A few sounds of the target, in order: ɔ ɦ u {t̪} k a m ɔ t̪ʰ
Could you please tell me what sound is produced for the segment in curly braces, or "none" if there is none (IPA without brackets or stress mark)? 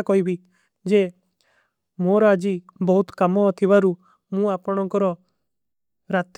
t̪